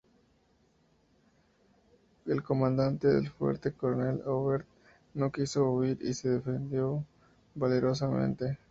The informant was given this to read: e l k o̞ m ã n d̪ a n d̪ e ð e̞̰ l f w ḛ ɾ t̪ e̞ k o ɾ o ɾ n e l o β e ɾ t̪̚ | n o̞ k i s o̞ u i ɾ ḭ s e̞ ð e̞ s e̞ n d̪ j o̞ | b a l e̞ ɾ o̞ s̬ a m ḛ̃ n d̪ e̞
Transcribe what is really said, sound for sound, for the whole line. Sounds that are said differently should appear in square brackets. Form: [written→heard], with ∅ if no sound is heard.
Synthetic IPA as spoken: e l k o̞ m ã n d̪ a n [d̪→t̪] e ð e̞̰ l f w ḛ ɾ t̪ e̞ k o ɾ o [ɾ→∅] n e l o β e ɾ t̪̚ | n o̞ k i s o̞ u i ɾ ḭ s e̞ ð e̞ [s→f] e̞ n d̪ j o̞ | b a l e̞ ɾ o̞ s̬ a m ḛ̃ n [d̪→t̪] e̞